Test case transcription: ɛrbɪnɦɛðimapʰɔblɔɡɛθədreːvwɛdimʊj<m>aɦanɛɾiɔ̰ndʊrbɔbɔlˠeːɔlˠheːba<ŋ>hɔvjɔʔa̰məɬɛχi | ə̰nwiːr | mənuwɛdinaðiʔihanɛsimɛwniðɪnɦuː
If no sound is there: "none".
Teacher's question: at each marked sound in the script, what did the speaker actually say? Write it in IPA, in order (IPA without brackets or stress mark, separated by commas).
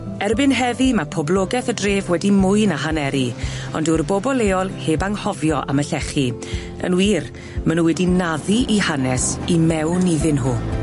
n, ŋ